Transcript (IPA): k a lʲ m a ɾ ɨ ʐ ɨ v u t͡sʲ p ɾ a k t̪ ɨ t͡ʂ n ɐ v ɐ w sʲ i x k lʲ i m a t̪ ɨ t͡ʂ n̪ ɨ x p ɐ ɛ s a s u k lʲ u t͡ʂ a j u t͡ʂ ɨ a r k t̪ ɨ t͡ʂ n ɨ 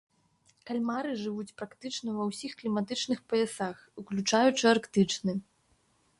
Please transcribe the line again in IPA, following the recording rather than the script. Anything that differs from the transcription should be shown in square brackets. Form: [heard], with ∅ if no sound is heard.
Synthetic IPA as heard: k a lʲ m a ɾ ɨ ʐ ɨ v u t͡sʲ p ɾ a k t̪ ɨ t͡ʂ n ɐ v ɐ w sʲ i x k lʲ i m a t̪ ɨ t͡ʂ n̪ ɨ x p ɐ ɛ s a [x] u k lʲ u t͡ʂ a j u t͡ʂ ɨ a r k t̪ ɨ t͡ʂ n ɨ